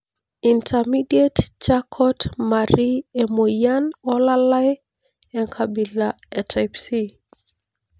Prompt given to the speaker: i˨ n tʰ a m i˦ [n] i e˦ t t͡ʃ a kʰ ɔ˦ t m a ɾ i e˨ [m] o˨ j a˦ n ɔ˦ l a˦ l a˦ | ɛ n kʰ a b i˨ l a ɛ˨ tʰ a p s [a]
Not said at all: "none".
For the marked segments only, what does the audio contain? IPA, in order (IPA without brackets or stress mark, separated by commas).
d, m, i